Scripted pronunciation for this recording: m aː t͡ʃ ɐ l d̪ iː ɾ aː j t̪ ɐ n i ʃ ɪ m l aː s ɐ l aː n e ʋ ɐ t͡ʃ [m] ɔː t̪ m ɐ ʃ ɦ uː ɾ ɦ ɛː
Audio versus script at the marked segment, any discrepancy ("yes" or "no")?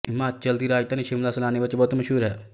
yes